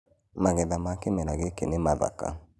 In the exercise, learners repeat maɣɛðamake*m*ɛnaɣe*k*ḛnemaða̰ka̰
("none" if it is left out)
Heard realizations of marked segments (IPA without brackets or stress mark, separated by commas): m, k